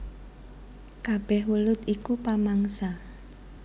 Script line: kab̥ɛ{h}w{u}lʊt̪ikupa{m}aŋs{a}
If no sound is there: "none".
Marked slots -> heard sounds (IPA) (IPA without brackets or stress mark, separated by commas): h, u, m, a